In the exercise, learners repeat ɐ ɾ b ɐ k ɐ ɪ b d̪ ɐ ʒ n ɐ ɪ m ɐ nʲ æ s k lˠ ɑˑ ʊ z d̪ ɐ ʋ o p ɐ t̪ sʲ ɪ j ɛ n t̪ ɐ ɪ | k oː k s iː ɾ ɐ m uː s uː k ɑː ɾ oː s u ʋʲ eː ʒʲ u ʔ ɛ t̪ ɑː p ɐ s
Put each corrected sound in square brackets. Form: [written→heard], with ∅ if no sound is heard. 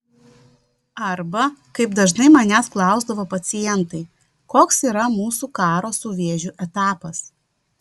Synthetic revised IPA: ɐ ɾ b ɐ k ɐ ɪ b d̪ ɐ ʒ n ɐ ɪ m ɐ nʲ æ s k lˠ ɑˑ ʊ z d̪ ɐ ʋ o p ɐ t̪ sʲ ɪ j ɛ n t̪ ɐ ɪ | k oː k s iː ɾ ɐ m uː s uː k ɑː ɾ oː s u ʋʲ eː ʒʲ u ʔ ɛ t̪ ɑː p ɐ s